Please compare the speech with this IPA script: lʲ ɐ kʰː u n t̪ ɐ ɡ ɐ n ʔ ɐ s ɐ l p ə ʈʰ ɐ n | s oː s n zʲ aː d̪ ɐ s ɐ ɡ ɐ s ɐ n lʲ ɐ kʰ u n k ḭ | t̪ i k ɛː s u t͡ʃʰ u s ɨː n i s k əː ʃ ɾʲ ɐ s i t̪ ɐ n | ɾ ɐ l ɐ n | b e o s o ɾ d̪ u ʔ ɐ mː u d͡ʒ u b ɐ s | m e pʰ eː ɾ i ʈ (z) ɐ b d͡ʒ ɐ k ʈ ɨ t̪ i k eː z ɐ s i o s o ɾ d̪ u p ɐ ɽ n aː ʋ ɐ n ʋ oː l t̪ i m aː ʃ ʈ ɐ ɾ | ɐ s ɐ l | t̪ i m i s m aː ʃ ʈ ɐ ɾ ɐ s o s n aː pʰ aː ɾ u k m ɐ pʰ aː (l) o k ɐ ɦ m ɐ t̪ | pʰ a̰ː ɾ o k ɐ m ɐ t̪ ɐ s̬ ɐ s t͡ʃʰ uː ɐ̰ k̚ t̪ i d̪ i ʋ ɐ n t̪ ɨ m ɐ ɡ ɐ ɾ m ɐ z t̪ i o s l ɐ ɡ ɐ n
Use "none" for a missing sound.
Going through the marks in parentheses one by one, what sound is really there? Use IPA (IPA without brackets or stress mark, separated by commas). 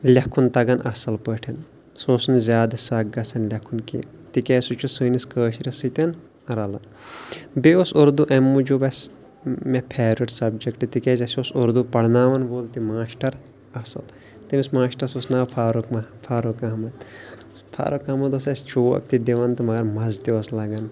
s, ɾ